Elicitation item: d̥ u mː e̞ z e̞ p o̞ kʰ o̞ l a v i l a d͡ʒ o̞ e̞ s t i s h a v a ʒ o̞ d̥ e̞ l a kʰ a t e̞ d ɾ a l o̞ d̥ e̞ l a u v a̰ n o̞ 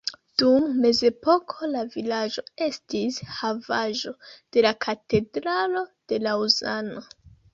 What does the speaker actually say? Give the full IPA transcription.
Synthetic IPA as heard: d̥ u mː e̞ z e̞ p o̞ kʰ o̞ l a v i l a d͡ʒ o̞ e̞ s t i s h a v a ʒ o̞ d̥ e̞ l a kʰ a t e̞ d ɾ a l o̞ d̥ e̞ l a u z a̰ n o̞